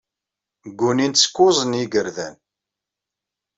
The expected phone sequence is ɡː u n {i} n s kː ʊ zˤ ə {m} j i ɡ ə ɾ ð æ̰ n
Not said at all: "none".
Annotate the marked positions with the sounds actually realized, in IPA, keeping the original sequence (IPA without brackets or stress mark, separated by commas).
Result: i, n